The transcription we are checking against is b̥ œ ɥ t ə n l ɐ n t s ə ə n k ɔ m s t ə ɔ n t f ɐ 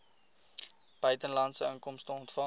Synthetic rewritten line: b̥ œ ɥ t ə n l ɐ n t s ə ə ŋ k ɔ m s t ə ɔ n t f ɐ